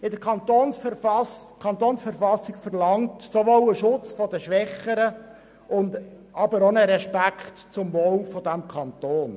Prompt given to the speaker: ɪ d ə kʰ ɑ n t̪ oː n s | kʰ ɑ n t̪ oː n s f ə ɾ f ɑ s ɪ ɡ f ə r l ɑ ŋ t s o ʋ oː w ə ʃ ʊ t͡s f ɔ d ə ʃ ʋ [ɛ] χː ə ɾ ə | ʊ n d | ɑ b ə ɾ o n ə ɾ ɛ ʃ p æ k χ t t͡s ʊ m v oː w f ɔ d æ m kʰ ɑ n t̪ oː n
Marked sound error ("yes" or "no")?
no